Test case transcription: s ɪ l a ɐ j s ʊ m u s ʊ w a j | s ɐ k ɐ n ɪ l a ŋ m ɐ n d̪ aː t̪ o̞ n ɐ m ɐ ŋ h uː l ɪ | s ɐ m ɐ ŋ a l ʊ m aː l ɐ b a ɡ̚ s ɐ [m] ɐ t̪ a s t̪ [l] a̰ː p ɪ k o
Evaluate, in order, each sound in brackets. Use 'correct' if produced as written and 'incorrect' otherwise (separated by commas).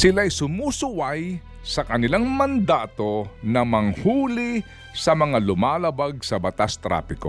incorrect, incorrect